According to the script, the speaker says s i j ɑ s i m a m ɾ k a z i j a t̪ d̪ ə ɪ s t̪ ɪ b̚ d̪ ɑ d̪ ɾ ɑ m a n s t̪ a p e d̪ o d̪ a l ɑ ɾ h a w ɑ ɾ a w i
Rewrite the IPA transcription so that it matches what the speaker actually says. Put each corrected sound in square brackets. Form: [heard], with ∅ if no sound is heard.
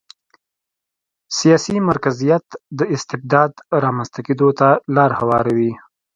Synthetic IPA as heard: s i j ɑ s i m a [∅] ɾ k a z i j a t̪ d̪ ə ɪ s t̪ ɪ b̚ d̪ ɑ d̪ ɾ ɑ m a n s t̪ a [k] e d̪ o [t̪] a l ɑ ɾ h a w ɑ ɾ a w i